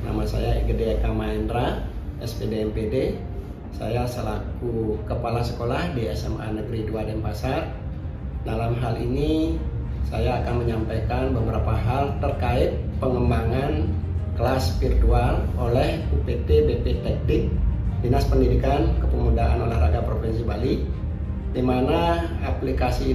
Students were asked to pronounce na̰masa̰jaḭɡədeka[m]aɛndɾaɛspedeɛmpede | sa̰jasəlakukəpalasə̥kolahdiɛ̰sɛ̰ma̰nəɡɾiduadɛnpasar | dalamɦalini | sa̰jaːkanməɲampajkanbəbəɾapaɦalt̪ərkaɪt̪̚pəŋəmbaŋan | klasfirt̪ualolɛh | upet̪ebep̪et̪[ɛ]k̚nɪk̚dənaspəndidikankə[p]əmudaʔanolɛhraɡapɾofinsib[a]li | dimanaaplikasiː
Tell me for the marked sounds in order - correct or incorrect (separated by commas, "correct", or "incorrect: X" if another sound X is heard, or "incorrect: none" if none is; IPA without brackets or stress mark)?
correct, correct, correct, correct